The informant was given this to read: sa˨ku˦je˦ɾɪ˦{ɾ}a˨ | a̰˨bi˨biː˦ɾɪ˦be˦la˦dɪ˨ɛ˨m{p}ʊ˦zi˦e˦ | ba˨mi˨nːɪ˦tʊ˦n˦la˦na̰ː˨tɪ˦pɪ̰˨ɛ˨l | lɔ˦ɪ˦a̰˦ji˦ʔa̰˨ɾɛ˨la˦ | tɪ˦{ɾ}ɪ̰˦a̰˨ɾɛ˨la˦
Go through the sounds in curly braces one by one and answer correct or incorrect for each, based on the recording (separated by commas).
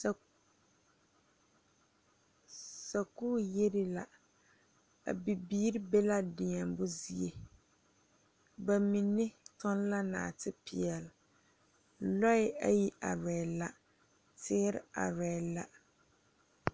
incorrect, incorrect, correct